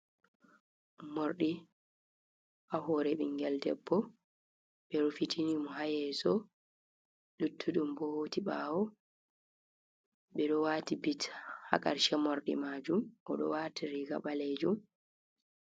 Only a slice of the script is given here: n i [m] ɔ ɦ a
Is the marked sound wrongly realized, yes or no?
no